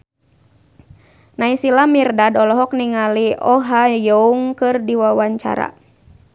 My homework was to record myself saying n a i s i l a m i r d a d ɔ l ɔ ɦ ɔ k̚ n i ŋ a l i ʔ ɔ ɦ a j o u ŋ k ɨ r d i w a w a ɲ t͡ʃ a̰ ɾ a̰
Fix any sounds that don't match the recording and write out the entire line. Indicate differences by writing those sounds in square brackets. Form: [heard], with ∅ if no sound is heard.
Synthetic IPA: n a i s i l a m i r d a d ɔ l ɔ ɦ ɔ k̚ n i ŋ a l i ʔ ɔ ɦ a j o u ŋ k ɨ r d i w a w a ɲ t͡ʃ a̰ ɾ a̰